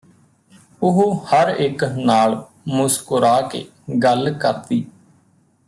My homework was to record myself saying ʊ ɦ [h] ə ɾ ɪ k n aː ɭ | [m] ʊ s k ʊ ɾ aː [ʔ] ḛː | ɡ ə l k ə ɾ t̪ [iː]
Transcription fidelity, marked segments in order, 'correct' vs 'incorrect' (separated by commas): correct, correct, incorrect, correct